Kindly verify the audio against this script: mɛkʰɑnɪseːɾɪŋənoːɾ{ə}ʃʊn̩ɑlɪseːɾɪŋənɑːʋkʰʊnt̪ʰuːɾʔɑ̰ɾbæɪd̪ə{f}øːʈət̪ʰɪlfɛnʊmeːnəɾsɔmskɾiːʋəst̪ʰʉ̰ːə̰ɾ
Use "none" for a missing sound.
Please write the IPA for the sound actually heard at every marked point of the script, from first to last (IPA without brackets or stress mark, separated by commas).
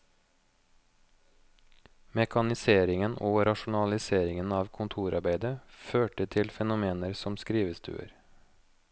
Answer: ɑ, f